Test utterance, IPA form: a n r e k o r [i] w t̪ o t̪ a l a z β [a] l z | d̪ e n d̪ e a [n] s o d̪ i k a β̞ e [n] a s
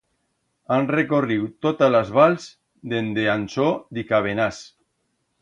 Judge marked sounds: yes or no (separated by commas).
yes, yes, yes, yes